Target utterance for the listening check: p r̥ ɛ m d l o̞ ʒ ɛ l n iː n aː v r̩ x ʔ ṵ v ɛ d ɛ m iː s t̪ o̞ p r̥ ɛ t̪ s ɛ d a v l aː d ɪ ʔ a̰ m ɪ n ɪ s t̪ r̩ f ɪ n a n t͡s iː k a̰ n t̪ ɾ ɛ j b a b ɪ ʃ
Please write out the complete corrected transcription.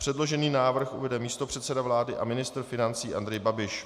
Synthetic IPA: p r̥ ɛ d l o̞ ʒ ɛ n iː n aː v r̩ x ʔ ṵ v ɛ d ɛ m iː s t̪ o̞ p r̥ ɛ t̪ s ɛ d a v l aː d ɪ ʔ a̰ m ɪ n ɪ s t̪ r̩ f ɪ n a n t͡s iː ʔ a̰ n d̪ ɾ ɛ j b a b ɪ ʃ